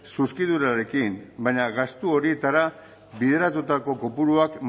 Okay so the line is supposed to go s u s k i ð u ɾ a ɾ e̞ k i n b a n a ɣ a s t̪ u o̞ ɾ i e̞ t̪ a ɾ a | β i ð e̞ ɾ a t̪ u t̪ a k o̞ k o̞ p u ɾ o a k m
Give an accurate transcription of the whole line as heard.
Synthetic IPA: s u s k i ð u ɾ a ɾ e̞ k i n b a ɲ a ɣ a s t̪ u o̞ ɾ i e̞ t̪ a ɾ a | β i ð e̞ ɾ a t̪ u t̪ a k o̞ k o̞ p u ɾ u a k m